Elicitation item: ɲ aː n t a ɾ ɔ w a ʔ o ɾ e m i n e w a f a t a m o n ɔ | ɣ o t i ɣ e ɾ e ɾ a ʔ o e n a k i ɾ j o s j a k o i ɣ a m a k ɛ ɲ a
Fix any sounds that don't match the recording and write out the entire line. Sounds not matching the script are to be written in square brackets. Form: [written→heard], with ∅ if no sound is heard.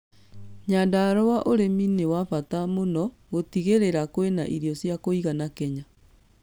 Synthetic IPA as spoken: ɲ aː n [t→d] a ɾ ɔ w a ʔ o ɾ e m i n e w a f a t a m o n ɔ | ɣ o t i ɣ e ɾ e ɾ a [ʔ→k] o e n a [k→ʔ] i ɾ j [o→ɔ] s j a k o i ɣ a [m→n] a k ɛ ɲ a